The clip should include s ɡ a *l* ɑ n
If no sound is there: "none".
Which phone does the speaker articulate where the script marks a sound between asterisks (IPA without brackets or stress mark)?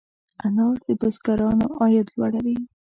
ɾ